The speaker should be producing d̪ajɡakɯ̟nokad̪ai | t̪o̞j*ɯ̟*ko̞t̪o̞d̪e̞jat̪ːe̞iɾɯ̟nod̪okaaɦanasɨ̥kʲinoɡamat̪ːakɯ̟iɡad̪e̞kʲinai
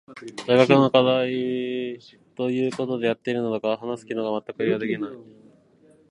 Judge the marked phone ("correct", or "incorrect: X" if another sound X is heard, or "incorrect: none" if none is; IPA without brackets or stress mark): incorrect: ɯ̟ː